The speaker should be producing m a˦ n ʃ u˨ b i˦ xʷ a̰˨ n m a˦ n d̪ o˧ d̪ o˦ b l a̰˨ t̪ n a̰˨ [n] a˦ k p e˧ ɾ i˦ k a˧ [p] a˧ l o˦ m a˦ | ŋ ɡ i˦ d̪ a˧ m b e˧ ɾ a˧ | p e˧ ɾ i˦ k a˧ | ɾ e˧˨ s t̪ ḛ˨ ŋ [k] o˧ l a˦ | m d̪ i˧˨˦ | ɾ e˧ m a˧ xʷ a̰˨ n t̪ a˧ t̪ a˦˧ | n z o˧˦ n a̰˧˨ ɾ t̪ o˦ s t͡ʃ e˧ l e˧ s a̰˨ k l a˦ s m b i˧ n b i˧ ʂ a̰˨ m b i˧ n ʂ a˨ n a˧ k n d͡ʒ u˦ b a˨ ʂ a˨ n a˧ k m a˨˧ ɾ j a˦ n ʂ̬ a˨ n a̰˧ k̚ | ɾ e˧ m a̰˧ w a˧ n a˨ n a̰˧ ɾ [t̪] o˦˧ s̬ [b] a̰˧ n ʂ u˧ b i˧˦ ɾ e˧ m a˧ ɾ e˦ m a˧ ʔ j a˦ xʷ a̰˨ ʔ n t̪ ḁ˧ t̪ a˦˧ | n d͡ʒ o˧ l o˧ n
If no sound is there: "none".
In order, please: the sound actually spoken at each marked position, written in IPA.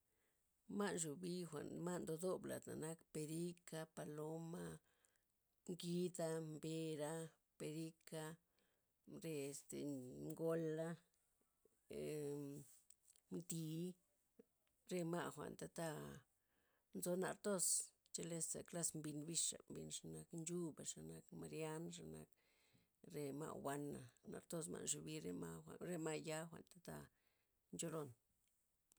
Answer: n, p, ɡ, t̪, m

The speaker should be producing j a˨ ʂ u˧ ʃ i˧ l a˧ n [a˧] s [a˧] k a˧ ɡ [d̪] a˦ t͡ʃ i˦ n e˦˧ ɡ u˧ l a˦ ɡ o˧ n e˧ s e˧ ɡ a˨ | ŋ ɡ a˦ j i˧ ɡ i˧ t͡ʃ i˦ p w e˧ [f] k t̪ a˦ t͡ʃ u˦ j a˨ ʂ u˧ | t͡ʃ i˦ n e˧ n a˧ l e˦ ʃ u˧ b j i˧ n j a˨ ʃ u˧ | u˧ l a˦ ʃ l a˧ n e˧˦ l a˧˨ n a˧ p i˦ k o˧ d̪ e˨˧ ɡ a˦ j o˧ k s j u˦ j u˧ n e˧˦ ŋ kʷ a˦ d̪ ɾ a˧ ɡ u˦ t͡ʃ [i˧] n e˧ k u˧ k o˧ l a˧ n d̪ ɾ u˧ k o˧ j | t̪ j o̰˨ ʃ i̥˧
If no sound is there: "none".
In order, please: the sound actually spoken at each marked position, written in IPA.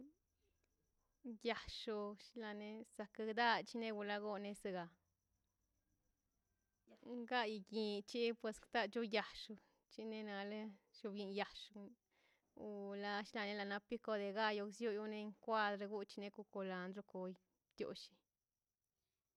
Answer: e˧, a˧, d̪, s, i˧

